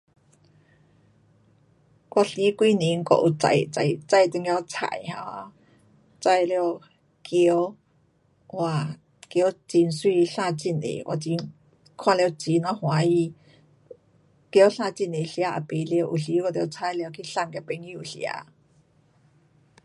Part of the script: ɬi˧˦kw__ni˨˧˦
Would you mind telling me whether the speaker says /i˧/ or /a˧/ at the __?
i˧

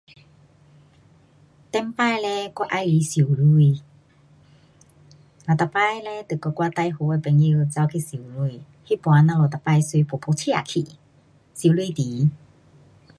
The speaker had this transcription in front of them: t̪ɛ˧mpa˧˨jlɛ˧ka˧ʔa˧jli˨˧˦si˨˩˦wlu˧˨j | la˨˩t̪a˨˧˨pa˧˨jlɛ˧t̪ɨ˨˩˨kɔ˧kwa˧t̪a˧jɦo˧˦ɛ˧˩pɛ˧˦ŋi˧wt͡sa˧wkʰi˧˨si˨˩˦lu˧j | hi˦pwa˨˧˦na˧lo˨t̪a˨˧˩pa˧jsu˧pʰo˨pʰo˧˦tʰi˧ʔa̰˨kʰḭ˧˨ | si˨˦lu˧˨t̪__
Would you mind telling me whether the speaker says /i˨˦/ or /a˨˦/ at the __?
i˨˦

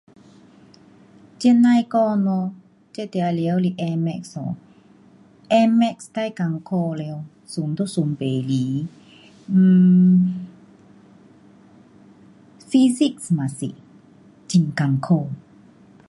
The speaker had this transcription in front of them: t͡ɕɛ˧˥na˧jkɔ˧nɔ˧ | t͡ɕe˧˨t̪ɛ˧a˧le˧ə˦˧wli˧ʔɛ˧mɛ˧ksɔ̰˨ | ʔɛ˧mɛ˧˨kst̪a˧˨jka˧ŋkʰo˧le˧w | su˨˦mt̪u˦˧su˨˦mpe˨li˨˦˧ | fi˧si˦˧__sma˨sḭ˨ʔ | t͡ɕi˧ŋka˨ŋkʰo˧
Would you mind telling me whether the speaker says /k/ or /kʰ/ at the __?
k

